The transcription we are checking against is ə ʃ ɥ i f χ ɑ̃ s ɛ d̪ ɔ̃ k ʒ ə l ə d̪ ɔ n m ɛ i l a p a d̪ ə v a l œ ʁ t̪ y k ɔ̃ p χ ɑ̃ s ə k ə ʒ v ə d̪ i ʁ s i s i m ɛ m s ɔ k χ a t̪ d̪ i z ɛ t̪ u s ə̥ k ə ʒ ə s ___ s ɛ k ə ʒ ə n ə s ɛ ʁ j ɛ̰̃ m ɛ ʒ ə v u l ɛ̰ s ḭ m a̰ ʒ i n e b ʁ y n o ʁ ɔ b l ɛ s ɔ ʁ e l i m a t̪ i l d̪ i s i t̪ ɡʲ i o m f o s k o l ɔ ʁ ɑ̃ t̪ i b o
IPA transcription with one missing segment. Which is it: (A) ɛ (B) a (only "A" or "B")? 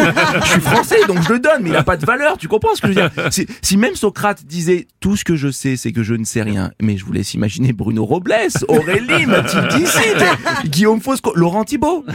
A